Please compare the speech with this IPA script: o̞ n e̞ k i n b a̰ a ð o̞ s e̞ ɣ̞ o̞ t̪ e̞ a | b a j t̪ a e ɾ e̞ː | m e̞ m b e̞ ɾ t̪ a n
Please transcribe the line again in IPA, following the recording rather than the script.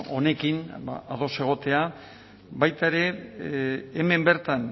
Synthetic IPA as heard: o̞ n e̞ k i n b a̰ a ð o̞ s e̞ ɣ̞ o̞ t̪ e̞ a | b a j t̪ a e ɾ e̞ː | m e̞ m b e̞ ɾ t̪ a n